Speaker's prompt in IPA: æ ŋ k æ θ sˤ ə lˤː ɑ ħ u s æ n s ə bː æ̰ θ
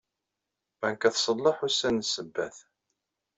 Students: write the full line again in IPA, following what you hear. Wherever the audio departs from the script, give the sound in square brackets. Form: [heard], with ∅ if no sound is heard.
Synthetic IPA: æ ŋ k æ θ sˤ ə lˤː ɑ ħ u s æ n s ə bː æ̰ θ